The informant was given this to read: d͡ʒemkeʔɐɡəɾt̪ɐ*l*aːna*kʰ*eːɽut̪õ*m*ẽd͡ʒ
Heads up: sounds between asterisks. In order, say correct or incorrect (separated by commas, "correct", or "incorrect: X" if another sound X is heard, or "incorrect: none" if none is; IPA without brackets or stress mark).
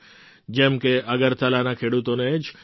correct, correct, incorrect: n